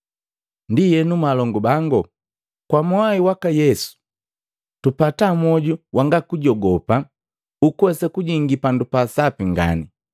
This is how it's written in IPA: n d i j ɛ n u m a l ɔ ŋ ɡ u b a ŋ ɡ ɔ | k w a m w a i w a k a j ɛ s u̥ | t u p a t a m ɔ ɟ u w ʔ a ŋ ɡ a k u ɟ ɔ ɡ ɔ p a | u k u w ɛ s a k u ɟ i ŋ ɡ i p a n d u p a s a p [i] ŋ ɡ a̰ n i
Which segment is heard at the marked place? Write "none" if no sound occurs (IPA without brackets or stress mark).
i